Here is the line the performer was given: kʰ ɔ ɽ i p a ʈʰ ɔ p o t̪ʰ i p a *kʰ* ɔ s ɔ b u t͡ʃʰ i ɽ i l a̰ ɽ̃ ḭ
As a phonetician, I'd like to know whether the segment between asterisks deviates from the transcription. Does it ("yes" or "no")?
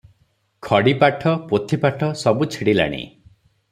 yes